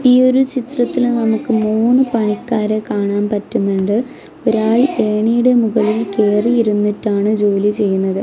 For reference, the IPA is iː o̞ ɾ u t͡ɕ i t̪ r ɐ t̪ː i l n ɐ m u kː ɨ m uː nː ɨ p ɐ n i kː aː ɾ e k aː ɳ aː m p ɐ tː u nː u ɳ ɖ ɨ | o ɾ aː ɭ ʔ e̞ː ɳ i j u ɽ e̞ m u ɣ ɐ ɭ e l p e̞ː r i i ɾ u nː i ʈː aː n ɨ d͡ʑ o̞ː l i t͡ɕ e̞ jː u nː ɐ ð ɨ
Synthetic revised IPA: iː o̞ ɾ u t͡ɕ i t̪ r ɐ t̪ː i l n ɐ m u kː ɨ m uː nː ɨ p ɐ ɳ i kː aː ɾ e k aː ɳ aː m p ɐ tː u nː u ɳ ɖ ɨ | o ɾ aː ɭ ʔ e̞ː ɳ i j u ɽ e̞ m u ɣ ɐ ɭ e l k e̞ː r i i ɾ u nː i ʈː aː ɳ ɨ d͡ʑ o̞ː l i t͡ɕ e̞ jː u nː ɐ ð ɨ